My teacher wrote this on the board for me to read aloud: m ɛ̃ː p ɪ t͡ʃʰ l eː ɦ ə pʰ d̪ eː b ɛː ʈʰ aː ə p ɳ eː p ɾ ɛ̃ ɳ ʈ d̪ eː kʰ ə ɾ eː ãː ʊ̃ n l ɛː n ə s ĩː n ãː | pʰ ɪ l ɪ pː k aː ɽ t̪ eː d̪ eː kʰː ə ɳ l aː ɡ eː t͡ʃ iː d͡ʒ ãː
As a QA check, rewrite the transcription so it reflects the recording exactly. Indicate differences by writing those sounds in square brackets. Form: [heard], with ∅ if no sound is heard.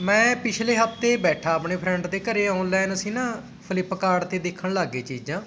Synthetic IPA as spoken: m ɛ̃ː p ɪ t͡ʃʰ l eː ɦ ə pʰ [t̪] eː b ɛː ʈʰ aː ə p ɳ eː [pʰ] ɾ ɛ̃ ɳ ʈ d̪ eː [k] ə ɾ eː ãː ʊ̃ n l ɛː n ə s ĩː n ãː | pʰ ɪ l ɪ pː k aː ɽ t̪ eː d̪ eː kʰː ə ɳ l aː ɡ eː t͡ʃ iː d͡ʒ ãː

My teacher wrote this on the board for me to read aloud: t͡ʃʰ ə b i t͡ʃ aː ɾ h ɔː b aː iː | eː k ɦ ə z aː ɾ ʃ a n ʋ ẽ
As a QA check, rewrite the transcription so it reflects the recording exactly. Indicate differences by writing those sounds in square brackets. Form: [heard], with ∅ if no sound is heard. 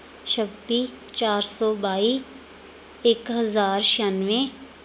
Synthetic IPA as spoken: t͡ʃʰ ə b i t͡ʃ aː ɾ [s] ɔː b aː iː | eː k ɦ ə z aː ɾ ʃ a n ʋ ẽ

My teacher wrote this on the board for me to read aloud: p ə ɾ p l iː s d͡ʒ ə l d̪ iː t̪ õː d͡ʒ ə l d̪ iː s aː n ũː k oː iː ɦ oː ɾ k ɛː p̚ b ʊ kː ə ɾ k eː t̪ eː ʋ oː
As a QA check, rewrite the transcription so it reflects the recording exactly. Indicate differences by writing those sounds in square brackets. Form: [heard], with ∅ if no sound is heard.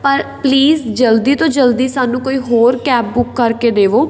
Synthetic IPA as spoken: p ə ɾ p l iː [z] d͡ʒ ə l d̪ iː t̪ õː d͡ʒ ə l d̪ iː s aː n ũː k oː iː ɦ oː ɾ k ɛː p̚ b ʊ kː ə ɾ k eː [d̪] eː ʋ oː

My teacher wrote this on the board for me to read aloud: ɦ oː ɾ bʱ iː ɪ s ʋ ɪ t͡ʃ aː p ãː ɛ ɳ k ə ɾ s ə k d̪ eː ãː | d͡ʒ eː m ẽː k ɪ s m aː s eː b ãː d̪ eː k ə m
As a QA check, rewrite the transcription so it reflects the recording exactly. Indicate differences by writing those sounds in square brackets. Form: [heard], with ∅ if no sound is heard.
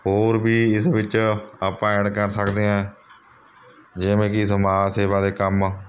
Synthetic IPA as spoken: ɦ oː ɾ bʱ iː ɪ s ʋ ɪ t͡ʃ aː p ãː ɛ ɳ k ə ɾ s ə k d̪ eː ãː | d͡ʒ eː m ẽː k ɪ s m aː s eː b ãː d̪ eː k ə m

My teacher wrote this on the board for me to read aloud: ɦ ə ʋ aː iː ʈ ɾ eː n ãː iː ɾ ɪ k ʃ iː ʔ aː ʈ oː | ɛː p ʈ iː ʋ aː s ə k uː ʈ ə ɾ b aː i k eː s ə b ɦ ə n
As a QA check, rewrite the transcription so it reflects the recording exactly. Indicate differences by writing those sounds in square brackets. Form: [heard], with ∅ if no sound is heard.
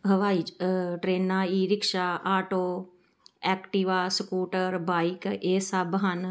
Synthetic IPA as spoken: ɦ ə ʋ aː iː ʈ ɾ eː n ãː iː ɾ ɪ k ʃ [aː] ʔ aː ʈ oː | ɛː [k] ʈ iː ʋ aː s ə k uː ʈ ə ɾ b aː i k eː s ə b ɦ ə n

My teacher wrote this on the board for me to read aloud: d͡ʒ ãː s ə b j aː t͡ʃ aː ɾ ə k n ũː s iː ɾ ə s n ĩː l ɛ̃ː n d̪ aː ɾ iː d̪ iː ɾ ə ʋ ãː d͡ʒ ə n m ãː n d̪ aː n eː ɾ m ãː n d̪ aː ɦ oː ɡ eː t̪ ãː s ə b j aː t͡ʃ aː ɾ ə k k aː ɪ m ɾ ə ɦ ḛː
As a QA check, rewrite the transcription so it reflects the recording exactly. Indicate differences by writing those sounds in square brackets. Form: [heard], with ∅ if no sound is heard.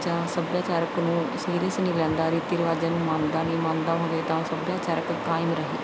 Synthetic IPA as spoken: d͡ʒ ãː s ə b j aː t͡ʃ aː ɾ ə k n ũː s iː ɾ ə s n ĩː l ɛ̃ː n d̪ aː ɾ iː [t̪] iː ɾ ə ʋ [aː] d͡ʒ ə n m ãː n d̪ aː n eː [∅] m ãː n d̪ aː ɦ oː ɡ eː t̪ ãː s ə b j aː t͡ʃ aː ɾ ə k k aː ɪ m ɾ ə ɦ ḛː

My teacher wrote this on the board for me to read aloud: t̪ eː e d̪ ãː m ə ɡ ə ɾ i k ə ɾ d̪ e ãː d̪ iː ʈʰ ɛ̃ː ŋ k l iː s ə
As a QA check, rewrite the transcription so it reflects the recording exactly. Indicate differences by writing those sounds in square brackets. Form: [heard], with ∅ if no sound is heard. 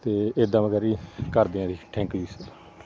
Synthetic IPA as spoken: t̪ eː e d̪ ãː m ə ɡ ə ɾ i k ə ɾ d̪ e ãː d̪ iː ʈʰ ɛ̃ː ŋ k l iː s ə

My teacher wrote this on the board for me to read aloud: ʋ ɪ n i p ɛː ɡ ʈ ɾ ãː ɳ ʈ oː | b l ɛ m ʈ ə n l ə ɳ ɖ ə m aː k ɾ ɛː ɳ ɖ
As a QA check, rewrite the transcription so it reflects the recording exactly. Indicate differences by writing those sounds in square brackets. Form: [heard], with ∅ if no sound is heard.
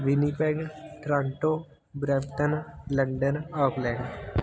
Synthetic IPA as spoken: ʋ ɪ n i p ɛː ɡ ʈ ɾ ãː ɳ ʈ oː | b [ɾ] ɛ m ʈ ə n l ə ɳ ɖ ə [n] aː k [l] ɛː ɳ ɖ

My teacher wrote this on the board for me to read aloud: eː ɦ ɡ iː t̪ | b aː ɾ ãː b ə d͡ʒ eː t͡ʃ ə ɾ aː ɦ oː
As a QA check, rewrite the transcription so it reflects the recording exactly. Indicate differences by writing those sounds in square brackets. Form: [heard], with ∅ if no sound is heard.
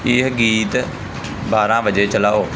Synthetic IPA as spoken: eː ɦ ɡ iː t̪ | b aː ɾ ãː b ə d͡ʒ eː t͡ʃ ə [l] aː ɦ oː

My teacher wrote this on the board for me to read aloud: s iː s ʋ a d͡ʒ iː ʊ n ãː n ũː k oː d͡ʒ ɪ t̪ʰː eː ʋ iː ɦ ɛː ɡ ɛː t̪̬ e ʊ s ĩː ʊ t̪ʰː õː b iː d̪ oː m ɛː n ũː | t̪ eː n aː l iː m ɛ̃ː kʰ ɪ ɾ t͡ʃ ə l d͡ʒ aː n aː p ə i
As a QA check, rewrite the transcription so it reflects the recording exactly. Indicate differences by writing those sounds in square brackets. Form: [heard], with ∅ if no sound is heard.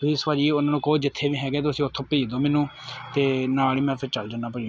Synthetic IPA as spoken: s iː s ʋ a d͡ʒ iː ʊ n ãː n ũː k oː d͡ʒ ɪ t̪ʰː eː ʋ iː ɦ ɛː ɡ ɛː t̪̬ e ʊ s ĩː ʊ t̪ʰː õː [p] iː d̪ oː m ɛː n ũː | t̪ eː n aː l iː m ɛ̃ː [pʰ] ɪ ɾ t͡ʃ ə l d͡ʒ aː n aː p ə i

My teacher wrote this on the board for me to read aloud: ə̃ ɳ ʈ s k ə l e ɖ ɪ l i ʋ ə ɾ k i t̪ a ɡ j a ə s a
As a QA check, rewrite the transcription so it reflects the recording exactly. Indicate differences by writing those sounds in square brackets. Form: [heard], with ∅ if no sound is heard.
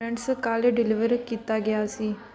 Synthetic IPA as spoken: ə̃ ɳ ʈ s k [a] l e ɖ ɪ l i ʋ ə ɾ k i t̪ a ɡ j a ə s [i]

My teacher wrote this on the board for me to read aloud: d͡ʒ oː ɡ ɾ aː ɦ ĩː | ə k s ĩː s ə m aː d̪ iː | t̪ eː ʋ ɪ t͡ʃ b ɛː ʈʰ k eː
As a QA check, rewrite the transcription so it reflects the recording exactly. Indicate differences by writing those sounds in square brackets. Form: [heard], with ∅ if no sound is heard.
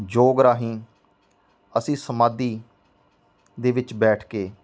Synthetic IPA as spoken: d͡ʒ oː ɡ ɾ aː ɦ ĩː | ə [∅] s ĩː s ə m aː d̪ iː | [d̪] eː ʋ ɪ t͡ʃ b ɛː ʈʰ k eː

